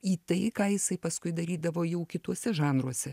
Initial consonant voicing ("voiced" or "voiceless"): voiceless